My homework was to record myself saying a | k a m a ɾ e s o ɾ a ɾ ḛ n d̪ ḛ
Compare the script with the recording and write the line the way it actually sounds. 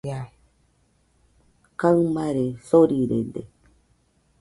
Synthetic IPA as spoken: a | k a m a ɾ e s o ɾ i ɾ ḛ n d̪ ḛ